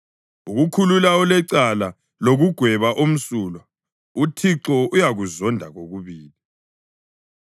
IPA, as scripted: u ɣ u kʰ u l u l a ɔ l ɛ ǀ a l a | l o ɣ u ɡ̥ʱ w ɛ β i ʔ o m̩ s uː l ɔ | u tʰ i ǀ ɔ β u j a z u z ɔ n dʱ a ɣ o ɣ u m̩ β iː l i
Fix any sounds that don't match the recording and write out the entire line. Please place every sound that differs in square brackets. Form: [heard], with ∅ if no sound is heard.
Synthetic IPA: u ɣ u kʰ u l u l a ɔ l ɛ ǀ a l a | l o ɣ u ɡ̥ʱ w ɛ β [a] ʔ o m̩ s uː l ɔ | u tʰ i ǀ ɔ [∅] u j a [ɣ] u z ɔ n dʱ a ɣ o ɣ u [∅] β iː l i